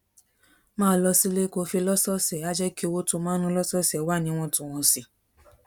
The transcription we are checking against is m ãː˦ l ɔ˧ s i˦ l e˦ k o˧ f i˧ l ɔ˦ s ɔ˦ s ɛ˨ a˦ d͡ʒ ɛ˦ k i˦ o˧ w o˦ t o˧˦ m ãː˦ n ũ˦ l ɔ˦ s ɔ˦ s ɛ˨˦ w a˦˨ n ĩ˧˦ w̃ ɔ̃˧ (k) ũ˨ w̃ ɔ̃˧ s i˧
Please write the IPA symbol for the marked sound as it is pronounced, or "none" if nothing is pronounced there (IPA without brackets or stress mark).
t